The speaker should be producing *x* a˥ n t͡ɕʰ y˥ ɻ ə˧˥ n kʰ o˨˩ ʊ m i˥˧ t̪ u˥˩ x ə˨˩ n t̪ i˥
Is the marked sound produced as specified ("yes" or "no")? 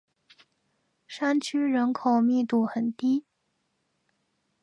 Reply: no